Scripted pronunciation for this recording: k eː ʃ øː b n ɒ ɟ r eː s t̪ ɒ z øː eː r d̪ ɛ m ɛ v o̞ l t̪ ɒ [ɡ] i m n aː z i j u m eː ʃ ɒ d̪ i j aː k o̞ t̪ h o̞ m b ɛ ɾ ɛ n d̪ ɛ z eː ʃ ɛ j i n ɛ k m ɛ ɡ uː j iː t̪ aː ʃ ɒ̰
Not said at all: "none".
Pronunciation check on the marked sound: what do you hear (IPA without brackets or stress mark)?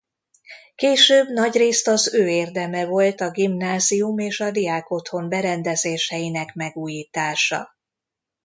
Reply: ɡ